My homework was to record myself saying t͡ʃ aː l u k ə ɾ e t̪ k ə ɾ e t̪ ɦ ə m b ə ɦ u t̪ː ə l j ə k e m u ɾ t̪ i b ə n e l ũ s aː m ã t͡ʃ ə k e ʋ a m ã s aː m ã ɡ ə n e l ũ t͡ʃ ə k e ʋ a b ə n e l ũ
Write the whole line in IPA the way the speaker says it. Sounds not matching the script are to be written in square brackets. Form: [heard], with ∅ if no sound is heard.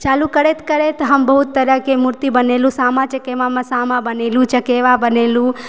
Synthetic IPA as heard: t͡ʃ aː l u k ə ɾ e t̪ k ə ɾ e t̪ ɦ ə m b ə ɦ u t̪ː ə [ɾ] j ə k e m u ɾ t̪ i b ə n e l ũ s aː m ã t͡ʃ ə k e ʋ a m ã s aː m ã [b] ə n e l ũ t͡ʃ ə k e ʋ a b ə n e l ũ